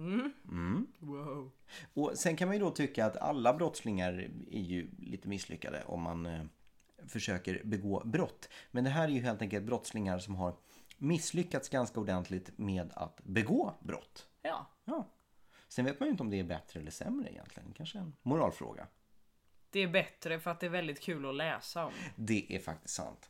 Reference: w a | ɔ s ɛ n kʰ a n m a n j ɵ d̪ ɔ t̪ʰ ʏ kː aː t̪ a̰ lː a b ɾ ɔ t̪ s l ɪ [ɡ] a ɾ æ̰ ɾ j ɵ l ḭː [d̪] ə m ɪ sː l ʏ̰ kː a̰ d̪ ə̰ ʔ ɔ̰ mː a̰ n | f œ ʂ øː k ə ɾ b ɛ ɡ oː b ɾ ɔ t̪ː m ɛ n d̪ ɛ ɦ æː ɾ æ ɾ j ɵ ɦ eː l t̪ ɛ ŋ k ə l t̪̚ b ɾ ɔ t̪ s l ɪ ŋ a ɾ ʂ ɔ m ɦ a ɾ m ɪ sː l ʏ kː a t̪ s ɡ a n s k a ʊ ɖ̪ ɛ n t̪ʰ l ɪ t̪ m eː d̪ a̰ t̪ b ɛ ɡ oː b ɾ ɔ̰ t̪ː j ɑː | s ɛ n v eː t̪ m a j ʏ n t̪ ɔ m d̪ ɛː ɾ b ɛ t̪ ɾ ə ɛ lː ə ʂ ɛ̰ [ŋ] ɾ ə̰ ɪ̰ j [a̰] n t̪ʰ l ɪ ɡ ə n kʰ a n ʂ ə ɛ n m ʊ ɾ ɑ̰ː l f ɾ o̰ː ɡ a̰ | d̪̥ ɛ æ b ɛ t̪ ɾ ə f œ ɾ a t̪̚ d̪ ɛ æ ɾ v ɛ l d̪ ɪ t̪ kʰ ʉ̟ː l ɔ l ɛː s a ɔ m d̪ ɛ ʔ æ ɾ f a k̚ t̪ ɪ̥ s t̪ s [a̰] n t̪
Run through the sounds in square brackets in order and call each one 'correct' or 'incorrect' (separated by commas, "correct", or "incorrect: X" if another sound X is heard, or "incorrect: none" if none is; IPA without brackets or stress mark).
incorrect: ŋ, incorrect: t̪, incorrect: m, incorrect: ɛ̰, correct